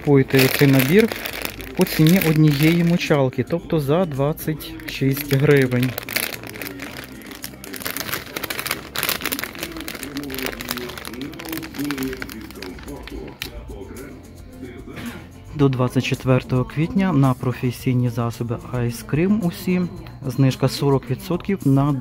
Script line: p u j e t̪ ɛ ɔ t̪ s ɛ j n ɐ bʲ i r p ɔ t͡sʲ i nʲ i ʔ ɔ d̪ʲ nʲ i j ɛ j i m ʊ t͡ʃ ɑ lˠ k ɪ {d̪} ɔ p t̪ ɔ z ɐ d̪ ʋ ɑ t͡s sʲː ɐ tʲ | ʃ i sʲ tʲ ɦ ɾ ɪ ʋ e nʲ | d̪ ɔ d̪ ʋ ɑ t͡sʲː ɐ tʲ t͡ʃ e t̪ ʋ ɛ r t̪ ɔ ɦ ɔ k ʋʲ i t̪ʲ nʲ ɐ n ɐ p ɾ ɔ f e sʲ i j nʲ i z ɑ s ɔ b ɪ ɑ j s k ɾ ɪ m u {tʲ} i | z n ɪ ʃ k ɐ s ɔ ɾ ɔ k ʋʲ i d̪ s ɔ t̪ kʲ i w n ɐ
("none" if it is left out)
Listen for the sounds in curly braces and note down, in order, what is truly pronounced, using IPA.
t̪, sʲ

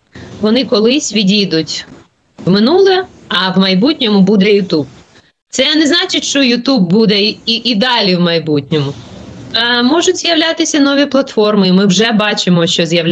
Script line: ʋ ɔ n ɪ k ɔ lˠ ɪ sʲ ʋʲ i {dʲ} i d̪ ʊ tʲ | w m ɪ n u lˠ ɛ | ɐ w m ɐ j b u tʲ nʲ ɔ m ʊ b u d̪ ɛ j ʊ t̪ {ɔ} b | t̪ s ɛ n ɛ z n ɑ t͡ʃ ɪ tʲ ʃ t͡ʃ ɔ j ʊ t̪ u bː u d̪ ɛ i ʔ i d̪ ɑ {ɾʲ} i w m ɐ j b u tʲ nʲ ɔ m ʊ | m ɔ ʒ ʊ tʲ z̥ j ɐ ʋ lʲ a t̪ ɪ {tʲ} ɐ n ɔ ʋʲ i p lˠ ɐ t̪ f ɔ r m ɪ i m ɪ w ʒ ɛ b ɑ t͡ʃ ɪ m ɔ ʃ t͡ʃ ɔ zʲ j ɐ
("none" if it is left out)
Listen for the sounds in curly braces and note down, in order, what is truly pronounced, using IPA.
dʲ, u, lʲ, sʲ

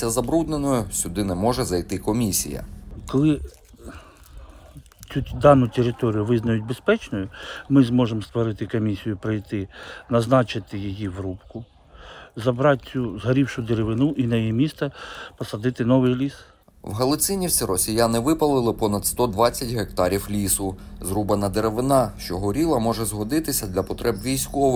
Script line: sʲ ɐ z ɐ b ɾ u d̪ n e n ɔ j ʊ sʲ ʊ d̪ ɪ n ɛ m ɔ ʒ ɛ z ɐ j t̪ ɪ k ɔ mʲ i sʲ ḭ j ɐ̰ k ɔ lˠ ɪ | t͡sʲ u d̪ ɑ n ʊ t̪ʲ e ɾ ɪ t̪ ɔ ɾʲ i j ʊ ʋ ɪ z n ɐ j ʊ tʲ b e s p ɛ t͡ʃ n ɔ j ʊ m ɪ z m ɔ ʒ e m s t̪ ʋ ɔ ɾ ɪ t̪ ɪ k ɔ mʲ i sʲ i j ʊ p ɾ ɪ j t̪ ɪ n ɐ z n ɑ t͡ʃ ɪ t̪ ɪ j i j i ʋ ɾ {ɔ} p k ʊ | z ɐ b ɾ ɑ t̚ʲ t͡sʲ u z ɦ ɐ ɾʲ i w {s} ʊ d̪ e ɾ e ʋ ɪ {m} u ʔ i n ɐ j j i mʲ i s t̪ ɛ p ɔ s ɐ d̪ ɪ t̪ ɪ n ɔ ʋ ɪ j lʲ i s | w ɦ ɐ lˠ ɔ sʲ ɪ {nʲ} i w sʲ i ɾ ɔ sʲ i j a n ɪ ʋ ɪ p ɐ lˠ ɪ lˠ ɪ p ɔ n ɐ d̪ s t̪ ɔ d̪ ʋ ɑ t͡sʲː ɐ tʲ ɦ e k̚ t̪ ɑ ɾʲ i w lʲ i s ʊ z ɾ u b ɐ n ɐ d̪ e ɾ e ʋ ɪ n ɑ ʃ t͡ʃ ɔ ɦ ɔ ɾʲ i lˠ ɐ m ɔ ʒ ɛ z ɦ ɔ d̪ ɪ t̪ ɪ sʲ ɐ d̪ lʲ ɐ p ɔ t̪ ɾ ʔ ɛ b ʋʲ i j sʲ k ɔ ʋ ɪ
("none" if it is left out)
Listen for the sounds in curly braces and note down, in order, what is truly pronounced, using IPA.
u, ʃ, n, nʲ

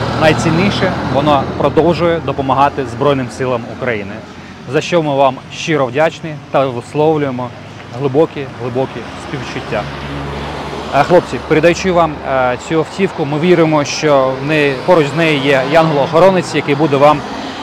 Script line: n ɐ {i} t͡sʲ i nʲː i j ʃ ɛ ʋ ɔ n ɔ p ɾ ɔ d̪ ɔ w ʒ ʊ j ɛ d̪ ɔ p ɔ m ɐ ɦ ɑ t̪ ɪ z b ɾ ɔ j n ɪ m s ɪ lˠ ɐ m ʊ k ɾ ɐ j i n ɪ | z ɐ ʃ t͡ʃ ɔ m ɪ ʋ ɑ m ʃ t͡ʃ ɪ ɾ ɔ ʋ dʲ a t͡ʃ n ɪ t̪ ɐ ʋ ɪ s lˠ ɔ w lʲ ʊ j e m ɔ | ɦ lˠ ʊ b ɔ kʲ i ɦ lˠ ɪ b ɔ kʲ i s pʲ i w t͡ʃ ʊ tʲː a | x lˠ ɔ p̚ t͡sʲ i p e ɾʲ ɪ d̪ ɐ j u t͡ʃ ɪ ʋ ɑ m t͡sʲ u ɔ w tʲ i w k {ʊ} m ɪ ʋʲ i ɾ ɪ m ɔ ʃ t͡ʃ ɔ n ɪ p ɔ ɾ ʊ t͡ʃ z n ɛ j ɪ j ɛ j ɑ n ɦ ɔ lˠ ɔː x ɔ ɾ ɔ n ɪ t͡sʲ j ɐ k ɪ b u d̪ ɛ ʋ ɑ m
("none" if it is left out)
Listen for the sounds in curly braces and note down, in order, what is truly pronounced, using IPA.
j, ʊ

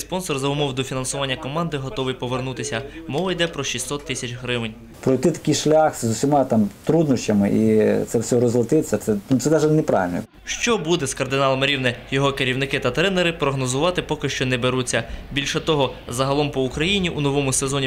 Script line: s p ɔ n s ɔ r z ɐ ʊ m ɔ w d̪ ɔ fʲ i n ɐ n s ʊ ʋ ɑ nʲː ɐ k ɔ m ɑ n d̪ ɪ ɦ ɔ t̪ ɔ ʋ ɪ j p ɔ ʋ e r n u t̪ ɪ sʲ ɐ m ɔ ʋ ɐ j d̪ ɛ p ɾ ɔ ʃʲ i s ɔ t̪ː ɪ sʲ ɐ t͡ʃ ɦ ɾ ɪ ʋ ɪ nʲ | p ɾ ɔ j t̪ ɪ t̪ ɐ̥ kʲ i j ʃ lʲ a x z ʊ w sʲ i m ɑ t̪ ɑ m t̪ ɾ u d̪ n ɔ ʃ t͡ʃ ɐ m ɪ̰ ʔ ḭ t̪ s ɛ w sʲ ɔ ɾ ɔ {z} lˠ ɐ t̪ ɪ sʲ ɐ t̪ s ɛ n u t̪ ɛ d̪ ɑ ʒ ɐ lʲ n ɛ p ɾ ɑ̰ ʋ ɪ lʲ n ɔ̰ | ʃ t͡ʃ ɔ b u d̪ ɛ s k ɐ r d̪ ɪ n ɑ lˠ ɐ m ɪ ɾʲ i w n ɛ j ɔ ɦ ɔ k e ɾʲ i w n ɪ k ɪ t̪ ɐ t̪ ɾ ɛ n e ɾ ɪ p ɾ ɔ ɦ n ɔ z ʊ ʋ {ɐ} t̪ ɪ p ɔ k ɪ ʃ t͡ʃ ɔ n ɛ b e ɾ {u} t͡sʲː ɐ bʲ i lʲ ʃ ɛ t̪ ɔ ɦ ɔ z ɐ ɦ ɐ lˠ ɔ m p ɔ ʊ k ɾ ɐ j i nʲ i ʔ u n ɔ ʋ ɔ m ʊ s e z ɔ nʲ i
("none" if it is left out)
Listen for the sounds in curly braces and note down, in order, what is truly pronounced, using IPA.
z, ɑ, u

